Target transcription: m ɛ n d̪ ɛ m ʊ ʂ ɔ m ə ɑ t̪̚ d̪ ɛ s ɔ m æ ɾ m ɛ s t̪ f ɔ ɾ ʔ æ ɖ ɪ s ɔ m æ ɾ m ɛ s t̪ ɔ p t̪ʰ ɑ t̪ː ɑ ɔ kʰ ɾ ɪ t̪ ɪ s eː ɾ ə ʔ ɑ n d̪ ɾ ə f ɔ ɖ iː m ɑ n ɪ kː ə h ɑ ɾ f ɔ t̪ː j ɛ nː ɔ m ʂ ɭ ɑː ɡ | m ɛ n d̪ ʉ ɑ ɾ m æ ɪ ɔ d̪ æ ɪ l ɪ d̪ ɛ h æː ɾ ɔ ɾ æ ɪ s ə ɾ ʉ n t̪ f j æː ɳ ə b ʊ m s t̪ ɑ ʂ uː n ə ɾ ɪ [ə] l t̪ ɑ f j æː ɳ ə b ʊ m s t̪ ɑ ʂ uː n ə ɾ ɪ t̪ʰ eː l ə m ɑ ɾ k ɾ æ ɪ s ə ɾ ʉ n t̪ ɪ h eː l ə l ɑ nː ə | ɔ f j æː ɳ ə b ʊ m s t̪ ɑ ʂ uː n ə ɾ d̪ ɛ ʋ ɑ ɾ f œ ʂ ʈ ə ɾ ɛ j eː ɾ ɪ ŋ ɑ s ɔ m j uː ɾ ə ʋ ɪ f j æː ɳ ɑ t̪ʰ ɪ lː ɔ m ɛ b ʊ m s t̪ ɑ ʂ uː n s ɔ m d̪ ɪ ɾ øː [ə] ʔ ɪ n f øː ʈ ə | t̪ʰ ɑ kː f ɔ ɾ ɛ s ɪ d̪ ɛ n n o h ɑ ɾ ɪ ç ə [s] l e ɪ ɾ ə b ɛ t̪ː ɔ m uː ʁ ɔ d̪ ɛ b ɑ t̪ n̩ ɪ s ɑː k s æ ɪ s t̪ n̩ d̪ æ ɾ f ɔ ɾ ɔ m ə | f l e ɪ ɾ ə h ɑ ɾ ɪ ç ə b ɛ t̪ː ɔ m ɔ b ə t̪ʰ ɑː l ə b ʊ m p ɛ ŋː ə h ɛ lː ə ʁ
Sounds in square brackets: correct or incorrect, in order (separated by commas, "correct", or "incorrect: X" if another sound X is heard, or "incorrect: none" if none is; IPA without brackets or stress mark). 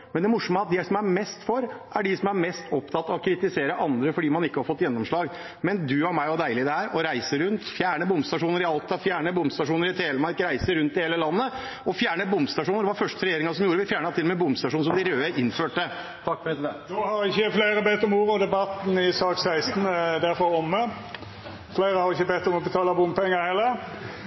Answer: incorrect: ɑ, correct, incorrect: f